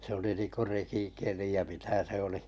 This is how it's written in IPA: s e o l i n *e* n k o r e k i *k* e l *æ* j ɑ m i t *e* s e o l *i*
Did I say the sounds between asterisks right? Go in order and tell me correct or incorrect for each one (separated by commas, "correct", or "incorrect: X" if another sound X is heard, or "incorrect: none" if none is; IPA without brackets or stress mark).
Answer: incorrect: i, correct, incorrect: i, incorrect: æ, correct